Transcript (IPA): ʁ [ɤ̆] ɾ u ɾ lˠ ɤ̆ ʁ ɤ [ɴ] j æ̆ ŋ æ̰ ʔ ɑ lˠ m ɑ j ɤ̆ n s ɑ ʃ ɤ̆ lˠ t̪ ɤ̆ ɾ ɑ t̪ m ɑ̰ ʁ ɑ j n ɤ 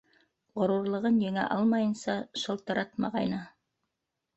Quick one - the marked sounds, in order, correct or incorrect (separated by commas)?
incorrect, incorrect